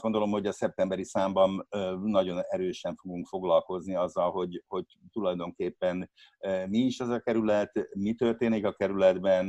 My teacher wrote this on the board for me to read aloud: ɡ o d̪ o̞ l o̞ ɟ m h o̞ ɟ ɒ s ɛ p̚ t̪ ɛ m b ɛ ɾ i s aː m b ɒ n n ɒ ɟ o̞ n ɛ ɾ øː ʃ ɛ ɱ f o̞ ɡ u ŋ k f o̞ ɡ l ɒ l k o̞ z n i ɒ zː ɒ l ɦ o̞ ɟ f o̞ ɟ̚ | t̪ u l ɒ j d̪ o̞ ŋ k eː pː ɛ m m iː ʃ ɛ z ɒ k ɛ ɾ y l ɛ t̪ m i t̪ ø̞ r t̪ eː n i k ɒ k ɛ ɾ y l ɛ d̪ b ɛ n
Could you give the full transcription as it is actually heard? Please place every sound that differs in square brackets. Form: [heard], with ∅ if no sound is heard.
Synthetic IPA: ɡ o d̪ o̞ l o̞ [∅] m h o̞ ɟ ɒ s ɛ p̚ t̪ ɛ m b ɛ ɾ i s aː m b ɒ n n ɒ ɟ o̞ n ɛ ɾ øː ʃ ɛ ɱ f o̞ ɡ u ŋ k f o̞ ɡ l ɒ l k o̞ z n i ɒ zː ɒ l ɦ o̞ ɟ [h] o̞ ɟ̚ | t̪ u l ɒ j d̪ o̞ ŋ k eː pː ɛ [n] m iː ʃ ɛ z ɒ k ɛ ɾ y l ɛ t̪ m i t̪ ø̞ r t̪ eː n i k ɒ k ɛ ɾ y l ɛ d̪ b ɛ n